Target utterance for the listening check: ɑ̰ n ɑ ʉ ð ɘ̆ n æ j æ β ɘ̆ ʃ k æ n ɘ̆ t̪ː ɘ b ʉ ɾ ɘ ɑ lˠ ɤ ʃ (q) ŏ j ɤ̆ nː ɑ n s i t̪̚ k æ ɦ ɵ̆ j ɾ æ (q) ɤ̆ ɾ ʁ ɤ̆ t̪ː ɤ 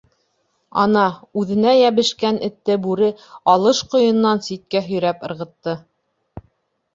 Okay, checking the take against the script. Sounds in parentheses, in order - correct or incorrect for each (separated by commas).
correct, incorrect